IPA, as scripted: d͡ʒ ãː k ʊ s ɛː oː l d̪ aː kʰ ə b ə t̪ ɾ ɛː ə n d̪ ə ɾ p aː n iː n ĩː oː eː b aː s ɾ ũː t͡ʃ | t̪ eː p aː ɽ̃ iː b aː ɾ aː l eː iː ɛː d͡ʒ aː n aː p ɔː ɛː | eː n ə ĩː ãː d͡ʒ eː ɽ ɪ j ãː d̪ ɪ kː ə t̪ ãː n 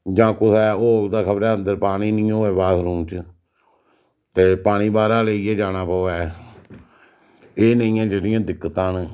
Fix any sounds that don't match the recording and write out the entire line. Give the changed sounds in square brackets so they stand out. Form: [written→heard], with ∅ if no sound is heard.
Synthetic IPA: d͡ʒ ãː k ʊ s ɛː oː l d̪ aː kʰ ə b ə [t̪→∅] ɾ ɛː ə n d̪ ə ɾ p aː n iː n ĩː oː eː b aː s ɾ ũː t͡ʃ | t̪ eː p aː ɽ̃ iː b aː ɾ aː l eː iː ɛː d͡ʒ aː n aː p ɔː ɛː | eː n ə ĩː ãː d͡ʒ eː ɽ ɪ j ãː d̪ ɪ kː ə t̪ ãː n